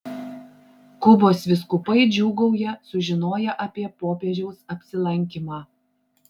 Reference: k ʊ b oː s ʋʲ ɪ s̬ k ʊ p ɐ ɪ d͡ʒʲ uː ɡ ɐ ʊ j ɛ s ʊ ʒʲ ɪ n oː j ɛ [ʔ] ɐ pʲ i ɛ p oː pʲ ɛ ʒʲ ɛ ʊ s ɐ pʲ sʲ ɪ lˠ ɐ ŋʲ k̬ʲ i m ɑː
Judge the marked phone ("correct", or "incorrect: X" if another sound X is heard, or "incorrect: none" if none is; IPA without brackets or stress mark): correct